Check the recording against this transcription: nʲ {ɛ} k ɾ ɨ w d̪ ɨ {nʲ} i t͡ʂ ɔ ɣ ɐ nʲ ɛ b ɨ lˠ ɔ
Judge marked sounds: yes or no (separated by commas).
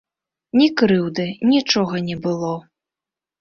no, yes